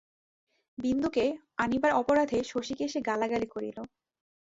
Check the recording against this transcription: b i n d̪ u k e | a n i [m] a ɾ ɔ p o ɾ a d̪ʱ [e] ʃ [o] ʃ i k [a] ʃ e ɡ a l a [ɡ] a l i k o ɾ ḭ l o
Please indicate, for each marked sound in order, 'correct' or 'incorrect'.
incorrect: b, correct, correct, incorrect: e, correct

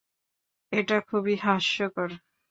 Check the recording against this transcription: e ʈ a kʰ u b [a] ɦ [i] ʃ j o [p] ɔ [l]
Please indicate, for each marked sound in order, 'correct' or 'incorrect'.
incorrect: i, incorrect: a, incorrect: k, incorrect: ɾ

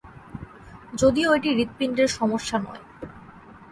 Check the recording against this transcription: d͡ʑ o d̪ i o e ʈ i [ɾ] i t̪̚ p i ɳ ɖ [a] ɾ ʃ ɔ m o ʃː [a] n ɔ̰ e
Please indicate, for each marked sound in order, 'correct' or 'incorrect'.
correct, incorrect: e, correct

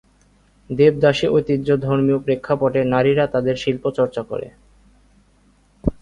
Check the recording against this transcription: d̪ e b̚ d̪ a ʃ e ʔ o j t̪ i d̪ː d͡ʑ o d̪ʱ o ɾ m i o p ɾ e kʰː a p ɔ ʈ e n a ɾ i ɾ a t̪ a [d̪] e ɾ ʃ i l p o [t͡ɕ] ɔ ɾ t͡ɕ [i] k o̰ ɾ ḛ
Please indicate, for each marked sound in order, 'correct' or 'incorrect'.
correct, correct, incorrect: a

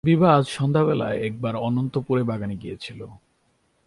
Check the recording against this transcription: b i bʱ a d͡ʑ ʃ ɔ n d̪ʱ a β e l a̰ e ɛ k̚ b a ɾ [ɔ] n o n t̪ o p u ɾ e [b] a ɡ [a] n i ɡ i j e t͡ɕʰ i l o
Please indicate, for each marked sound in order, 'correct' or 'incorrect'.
correct, correct, correct

